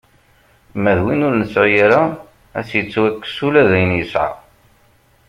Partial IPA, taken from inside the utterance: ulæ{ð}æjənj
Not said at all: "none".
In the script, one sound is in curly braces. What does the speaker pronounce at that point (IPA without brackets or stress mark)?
ð